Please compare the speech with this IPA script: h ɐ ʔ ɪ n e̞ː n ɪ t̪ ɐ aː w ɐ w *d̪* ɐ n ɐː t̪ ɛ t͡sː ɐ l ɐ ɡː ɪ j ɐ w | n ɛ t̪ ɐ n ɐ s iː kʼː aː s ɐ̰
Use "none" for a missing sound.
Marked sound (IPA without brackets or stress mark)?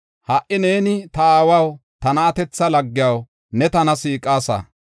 t̪